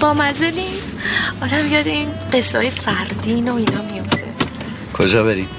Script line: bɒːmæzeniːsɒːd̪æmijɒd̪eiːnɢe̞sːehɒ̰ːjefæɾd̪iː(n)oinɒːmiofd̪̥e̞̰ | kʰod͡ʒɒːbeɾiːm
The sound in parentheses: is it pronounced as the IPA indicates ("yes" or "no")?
yes